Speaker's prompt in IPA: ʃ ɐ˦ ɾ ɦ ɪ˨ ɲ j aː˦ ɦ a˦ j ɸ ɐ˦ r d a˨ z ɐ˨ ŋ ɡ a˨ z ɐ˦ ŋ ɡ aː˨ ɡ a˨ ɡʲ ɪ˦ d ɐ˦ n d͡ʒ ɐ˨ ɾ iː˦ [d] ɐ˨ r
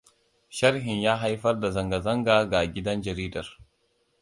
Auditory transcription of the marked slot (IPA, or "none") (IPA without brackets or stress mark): d